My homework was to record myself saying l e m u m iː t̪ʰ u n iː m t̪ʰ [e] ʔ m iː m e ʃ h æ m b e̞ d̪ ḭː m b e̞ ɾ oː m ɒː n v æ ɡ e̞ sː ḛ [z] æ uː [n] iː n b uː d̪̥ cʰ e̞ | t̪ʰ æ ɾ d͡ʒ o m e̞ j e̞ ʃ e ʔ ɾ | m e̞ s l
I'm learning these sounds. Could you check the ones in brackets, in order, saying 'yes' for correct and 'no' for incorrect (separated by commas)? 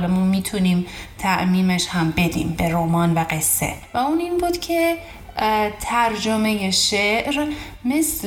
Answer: no, no, yes